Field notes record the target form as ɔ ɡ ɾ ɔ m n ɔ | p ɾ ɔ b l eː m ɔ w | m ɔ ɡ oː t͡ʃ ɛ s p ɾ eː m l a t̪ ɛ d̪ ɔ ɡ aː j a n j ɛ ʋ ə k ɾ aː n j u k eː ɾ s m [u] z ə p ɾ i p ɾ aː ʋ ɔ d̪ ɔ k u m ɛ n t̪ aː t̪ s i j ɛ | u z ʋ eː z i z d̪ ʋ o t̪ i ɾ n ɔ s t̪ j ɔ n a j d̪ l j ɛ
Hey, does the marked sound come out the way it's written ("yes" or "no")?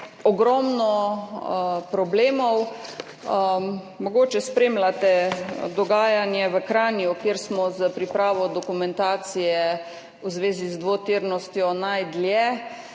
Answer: no